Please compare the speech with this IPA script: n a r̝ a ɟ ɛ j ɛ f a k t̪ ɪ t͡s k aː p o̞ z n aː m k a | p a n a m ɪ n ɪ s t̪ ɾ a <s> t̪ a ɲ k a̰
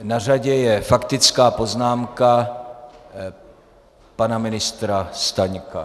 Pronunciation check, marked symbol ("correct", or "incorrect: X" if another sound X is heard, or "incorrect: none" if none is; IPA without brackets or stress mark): correct